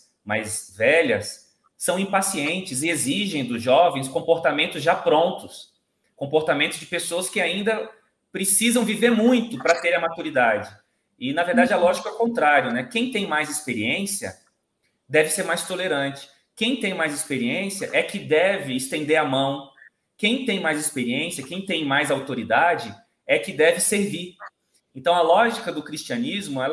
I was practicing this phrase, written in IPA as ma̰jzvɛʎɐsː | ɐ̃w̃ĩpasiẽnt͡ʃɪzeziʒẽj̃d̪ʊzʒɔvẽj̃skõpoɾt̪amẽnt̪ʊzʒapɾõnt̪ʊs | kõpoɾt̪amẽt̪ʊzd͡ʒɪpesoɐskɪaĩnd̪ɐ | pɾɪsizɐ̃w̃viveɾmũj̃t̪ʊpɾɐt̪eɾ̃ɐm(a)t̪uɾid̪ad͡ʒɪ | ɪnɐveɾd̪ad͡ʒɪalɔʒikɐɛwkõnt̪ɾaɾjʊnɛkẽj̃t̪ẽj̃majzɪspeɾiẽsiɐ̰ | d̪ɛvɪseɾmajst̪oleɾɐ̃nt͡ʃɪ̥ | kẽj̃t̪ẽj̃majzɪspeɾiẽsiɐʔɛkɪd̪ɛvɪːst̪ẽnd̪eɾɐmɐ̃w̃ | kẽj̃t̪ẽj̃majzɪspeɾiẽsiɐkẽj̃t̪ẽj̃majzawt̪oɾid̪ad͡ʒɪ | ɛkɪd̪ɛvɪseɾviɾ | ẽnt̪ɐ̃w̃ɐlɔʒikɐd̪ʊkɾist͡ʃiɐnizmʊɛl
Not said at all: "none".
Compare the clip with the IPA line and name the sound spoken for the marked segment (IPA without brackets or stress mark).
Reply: a